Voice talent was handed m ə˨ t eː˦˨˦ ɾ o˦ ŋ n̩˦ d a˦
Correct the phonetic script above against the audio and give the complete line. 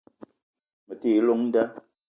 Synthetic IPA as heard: m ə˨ t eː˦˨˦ l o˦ ŋ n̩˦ d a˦

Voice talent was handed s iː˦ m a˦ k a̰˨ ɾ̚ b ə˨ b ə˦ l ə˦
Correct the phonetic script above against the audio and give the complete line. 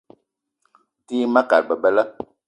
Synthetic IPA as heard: t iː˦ m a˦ k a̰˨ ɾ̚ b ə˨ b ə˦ l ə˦

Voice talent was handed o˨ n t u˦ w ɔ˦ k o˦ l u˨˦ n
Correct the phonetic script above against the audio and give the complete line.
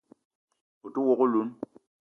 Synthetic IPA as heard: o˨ t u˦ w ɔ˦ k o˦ l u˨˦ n

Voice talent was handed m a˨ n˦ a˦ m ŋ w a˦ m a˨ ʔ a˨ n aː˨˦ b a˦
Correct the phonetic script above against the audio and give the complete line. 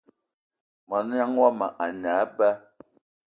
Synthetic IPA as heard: m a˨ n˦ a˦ ŋ w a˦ m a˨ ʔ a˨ n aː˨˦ b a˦

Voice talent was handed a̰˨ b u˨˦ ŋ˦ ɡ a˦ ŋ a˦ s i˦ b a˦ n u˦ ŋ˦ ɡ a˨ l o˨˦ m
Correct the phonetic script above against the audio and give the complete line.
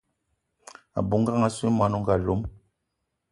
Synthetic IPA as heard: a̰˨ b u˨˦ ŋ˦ ɡ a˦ ŋ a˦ s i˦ m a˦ n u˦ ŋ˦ ɡ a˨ l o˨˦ m

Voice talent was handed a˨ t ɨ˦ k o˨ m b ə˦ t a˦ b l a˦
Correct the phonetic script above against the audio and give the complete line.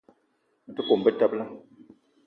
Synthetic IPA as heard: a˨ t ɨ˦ k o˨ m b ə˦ t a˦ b l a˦

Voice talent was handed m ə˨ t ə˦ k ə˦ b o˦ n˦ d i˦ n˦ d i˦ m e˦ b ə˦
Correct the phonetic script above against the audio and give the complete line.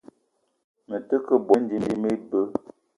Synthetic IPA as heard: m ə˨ t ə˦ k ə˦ b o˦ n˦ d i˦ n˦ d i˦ m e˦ b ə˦

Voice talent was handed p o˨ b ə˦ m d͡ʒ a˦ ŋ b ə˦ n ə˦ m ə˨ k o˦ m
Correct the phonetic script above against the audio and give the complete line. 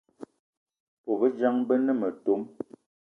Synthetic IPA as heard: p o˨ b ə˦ d͡ʒ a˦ ŋ b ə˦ n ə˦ m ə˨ t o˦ m

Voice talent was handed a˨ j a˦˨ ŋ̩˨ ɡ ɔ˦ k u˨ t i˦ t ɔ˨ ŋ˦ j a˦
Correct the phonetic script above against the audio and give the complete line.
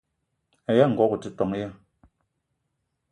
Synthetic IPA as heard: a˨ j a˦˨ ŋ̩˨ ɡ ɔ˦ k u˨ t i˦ t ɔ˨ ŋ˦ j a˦

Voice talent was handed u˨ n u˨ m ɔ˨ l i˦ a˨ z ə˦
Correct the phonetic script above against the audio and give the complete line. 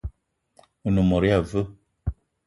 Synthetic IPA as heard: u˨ n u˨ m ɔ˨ ɾ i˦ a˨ v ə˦

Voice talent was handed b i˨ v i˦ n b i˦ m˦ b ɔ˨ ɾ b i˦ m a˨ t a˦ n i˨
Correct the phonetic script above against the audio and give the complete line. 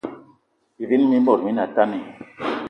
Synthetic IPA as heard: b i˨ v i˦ n m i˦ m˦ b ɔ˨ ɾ m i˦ n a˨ t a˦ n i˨

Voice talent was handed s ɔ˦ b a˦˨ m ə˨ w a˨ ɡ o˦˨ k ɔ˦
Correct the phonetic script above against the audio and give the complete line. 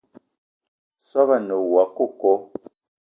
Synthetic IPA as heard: s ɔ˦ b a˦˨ n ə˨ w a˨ k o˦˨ k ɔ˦

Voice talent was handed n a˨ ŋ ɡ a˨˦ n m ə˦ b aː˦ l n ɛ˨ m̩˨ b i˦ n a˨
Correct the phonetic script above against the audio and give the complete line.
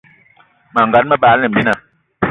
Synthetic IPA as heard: m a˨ ŋ ɡ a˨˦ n m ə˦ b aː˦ l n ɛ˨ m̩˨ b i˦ n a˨

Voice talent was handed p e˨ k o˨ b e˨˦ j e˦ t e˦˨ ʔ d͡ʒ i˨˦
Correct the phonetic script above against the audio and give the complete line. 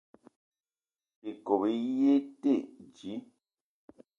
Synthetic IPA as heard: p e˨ k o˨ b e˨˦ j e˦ t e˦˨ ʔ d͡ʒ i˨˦

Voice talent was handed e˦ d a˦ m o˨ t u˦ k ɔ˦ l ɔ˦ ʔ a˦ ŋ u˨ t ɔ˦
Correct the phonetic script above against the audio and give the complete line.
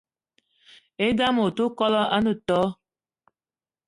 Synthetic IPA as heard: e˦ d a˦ m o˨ t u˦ k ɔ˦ l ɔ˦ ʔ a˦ n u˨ t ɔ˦

